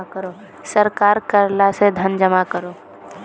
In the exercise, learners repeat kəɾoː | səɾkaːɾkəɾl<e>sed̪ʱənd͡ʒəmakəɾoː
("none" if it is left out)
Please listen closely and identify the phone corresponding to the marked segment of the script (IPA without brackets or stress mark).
a